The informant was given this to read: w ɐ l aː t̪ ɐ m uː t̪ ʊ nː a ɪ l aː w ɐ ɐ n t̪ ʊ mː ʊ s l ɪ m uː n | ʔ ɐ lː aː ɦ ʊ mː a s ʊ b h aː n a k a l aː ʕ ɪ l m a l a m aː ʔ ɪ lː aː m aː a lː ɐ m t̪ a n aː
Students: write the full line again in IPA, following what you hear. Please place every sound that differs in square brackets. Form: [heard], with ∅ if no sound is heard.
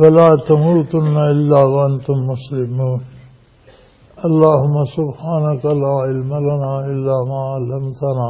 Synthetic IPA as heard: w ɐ l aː t̪ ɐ m uː t̪ ʊ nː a ɪ [lː] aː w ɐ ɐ n t̪ ʊ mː ʊ s l ɪ m uː n | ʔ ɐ lː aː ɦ ʊ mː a s ʊ b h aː n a k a l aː ʕ ɪ l m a l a [n] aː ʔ ɪ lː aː m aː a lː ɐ m t̪ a n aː